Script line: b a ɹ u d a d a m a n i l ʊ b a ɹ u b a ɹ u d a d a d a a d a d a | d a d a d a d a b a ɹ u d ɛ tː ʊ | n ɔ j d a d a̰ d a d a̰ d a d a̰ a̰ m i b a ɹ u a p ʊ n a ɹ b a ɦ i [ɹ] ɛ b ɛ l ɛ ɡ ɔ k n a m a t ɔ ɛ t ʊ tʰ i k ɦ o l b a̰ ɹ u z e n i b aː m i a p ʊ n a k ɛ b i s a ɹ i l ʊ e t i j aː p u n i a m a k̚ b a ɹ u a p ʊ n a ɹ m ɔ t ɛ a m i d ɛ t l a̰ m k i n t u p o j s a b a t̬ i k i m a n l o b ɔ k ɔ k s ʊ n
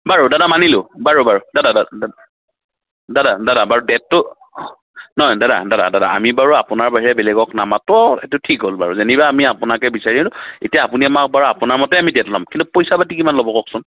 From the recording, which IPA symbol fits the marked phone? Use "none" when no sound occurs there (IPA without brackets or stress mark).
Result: ɹ